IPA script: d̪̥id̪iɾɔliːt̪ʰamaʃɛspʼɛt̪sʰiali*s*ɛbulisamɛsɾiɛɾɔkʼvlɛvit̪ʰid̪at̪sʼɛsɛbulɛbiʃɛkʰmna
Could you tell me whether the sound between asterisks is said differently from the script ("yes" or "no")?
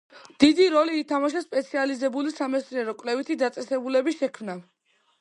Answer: yes